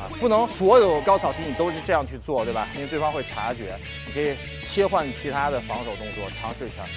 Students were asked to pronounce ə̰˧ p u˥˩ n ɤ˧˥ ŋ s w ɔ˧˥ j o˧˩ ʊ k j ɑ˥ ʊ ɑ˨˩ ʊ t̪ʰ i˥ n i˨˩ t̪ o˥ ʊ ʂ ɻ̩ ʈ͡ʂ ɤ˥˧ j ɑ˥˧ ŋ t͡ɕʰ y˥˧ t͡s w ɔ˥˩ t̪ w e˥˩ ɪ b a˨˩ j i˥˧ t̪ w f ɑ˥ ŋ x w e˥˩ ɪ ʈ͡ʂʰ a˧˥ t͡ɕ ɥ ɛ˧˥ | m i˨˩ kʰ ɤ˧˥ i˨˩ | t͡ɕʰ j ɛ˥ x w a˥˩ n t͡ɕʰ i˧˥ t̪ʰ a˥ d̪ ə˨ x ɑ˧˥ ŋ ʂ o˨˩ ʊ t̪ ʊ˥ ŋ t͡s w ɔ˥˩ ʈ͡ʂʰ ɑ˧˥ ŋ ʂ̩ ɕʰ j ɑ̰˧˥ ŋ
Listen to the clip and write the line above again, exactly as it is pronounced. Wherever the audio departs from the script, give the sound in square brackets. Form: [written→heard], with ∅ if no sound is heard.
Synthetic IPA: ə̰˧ p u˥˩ n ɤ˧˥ ŋ s w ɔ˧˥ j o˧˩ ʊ k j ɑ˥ ʊ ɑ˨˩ ʊ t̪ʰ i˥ n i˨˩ t̪ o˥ ʊ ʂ ɻ̩ ʈ͡ʂ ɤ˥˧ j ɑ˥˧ ŋ t͡ɕʰ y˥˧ t͡s w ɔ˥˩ t̪ w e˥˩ ɪ b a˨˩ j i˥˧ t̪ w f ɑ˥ ŋ x w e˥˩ ɪ ʈ͡ʂʰ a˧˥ t͡ɕ ɥ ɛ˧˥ | [m→n] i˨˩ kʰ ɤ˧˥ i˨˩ | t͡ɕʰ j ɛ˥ x w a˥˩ n t͡ɕʰ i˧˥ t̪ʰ a˥ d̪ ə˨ [x→f] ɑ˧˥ ŋ ʂ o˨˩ ʊ t̪ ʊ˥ ŋ t͡s w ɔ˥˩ ʈ͡ʂʰ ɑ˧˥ ŋ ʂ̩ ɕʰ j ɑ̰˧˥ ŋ